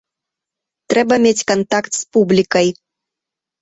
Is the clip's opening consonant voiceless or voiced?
voiceless